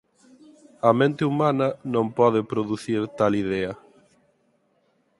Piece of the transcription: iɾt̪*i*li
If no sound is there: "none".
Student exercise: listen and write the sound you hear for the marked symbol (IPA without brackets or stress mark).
a